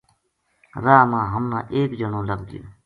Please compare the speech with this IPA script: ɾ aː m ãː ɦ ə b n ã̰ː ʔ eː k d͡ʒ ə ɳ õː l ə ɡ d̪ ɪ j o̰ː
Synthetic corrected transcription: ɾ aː m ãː ɦ ə m n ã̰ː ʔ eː k d͡ʒ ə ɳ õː l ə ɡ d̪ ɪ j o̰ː